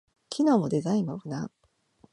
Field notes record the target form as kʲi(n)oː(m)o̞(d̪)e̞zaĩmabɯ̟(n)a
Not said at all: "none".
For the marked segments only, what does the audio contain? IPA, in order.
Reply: n, m, d̪, n

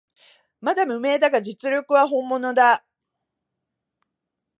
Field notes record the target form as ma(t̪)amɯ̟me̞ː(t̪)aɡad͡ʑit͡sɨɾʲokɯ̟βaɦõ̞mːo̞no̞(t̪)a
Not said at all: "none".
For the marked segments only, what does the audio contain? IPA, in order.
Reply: d̪, d̪, d̪

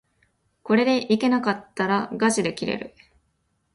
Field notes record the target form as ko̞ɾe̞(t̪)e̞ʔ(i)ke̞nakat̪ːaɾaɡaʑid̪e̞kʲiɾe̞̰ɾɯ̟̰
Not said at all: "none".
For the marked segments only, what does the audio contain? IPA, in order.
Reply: d̪, i

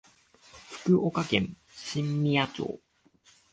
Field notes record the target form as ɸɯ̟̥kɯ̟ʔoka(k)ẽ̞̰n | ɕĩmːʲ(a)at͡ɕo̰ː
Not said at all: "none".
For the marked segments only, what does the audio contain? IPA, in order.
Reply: k, i

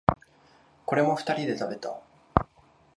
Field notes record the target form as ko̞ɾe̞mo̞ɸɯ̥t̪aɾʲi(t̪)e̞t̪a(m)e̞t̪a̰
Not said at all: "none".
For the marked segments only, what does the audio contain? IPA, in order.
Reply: d̪, b

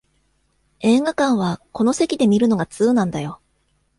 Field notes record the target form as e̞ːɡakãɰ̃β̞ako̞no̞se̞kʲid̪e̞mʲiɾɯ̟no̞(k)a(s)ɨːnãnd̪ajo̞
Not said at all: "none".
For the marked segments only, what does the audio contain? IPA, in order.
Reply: ɡ, t͡s

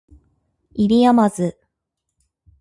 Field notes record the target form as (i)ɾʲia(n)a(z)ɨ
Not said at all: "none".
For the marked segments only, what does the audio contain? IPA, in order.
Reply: i, m, z

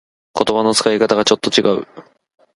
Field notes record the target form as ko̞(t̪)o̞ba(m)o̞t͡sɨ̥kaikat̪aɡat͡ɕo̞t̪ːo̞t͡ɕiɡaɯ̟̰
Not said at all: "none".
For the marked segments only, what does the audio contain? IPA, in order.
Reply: t̪, n

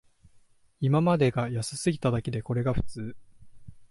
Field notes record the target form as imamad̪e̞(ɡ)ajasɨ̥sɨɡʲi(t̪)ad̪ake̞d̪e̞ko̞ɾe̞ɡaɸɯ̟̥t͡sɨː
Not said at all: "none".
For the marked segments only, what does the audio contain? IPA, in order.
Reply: ɡ, t̪

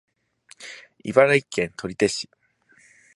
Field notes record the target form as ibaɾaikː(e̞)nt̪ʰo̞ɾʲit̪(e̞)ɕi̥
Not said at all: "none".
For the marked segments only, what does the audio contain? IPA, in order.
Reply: ẽ̞, e̞

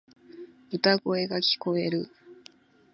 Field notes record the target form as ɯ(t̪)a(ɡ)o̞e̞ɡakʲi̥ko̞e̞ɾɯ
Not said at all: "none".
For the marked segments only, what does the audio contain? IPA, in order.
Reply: t̪, ɡ

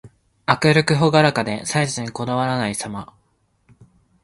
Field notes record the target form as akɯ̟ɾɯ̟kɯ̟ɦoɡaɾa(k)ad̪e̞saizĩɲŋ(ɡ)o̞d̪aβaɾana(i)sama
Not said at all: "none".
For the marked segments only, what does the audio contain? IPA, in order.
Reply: k, k, i

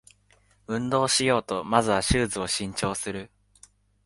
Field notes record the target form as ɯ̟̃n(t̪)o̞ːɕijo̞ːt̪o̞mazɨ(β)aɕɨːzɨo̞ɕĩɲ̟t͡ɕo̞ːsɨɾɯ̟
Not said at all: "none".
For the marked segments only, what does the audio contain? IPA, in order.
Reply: d̪, β

